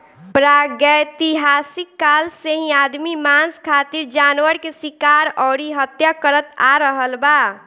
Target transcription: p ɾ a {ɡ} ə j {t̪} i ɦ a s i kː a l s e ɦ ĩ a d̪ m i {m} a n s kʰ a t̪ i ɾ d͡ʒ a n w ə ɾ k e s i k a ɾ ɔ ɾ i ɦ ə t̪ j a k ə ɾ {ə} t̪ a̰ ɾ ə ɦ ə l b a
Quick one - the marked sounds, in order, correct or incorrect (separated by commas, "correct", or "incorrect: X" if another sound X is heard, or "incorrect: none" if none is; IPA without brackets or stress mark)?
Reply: correct, correct, correct, correct